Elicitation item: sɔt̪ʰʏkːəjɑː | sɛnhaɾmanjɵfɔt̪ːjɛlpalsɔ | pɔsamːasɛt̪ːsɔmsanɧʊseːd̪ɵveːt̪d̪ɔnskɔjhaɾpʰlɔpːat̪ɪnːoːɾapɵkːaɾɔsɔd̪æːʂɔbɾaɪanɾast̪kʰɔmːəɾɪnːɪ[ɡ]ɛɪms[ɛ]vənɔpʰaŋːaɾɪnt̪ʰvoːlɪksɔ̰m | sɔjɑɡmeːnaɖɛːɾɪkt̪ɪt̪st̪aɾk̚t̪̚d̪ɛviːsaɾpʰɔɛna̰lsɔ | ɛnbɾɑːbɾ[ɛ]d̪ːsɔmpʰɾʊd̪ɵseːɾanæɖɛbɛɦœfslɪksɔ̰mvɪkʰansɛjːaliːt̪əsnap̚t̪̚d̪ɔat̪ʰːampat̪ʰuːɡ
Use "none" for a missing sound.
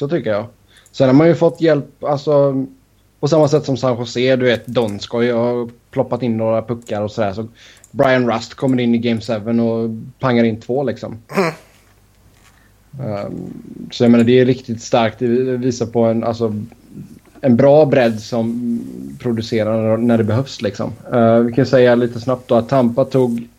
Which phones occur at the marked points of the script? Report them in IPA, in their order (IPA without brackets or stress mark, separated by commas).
ɡ, ɛ, ɛ